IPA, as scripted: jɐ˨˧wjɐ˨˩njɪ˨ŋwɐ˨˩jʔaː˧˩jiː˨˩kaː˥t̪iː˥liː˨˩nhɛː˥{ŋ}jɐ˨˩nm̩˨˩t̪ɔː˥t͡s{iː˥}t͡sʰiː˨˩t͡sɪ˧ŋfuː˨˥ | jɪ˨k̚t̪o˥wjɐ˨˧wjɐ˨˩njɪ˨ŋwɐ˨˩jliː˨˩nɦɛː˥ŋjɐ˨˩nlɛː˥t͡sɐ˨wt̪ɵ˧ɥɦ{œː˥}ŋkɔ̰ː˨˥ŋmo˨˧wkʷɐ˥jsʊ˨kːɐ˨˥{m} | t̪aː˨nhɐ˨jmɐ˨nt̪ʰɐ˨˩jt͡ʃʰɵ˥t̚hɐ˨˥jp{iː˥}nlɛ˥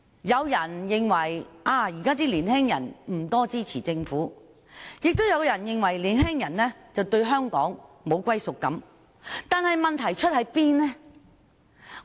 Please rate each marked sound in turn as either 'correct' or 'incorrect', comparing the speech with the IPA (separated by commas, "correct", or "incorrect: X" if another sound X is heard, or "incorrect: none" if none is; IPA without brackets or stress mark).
correct, correct, correct, correct, correct